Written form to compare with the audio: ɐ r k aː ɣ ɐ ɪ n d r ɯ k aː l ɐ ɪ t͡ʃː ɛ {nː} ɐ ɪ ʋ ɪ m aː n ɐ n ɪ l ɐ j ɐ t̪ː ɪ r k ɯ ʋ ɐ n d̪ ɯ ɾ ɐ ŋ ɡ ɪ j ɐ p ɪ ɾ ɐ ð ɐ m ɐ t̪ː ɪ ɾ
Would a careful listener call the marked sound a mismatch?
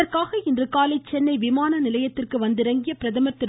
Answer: no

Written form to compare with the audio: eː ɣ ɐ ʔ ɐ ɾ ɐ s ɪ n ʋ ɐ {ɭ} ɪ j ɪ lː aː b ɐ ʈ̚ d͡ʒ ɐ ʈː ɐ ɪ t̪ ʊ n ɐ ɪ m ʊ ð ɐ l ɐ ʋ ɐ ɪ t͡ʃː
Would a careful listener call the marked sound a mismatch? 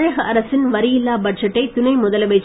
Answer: yes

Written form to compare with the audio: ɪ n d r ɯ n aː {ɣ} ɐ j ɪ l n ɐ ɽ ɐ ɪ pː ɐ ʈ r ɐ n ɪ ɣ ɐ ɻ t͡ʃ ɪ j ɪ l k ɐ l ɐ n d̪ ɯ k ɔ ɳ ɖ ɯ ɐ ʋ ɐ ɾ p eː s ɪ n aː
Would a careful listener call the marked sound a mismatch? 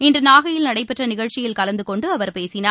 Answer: no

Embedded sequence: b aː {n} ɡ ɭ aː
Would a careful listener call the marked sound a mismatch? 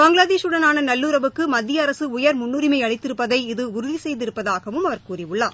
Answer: yes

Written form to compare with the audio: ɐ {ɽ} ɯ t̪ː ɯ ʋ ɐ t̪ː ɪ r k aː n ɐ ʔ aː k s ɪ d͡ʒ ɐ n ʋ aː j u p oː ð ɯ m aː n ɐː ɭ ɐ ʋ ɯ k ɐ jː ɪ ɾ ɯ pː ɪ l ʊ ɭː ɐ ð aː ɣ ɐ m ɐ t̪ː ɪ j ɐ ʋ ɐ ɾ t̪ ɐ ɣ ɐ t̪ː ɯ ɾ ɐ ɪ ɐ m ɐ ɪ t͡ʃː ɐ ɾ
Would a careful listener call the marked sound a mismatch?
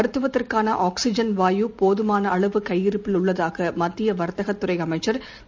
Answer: yes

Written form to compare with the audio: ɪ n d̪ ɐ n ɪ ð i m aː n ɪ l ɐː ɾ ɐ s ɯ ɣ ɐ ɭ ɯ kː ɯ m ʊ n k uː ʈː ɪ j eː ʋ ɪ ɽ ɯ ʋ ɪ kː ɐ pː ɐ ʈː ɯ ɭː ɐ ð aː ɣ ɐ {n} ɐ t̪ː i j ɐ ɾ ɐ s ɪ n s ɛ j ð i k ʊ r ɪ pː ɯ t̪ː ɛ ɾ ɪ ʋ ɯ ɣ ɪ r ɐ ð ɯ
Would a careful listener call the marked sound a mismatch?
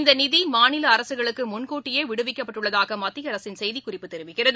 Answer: yes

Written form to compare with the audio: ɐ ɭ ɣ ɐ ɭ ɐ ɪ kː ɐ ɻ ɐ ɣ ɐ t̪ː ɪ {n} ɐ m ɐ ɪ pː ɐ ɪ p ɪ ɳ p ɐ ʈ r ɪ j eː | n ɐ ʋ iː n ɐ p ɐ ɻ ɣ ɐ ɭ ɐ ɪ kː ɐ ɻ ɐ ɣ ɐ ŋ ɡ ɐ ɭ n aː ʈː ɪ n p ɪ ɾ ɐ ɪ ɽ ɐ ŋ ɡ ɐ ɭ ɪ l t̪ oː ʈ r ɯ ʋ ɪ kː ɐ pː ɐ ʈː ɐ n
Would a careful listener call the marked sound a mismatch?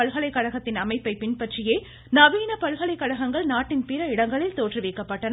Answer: no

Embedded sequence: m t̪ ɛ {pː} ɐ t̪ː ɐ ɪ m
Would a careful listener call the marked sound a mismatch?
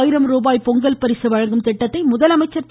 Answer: yes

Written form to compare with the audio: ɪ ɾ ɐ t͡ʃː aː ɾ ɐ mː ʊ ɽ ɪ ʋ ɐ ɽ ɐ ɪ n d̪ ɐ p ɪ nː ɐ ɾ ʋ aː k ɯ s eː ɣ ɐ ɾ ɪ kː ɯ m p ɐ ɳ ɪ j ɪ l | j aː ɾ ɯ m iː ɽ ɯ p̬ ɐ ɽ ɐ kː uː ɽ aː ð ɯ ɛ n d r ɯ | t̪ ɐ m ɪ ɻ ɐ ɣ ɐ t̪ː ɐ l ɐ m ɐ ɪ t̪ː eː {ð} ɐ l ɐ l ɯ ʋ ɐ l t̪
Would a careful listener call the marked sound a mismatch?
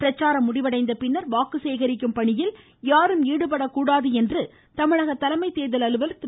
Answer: no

